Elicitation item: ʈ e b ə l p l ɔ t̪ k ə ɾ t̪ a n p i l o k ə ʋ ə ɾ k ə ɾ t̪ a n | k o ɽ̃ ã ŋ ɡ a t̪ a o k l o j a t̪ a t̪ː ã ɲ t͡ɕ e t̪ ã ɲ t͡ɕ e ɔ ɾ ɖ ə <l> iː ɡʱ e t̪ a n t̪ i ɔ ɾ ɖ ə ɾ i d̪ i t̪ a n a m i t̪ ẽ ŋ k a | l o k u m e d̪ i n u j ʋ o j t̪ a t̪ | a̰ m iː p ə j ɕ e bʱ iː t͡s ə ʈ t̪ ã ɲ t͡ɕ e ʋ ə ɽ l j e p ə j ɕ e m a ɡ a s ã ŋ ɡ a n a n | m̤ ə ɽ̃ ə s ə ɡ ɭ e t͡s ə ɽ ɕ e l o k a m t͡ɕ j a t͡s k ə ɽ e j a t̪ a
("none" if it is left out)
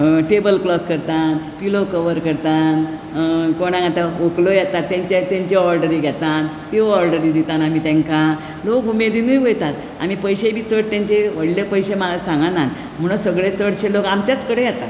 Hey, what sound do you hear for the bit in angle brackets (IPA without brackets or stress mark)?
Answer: ɾ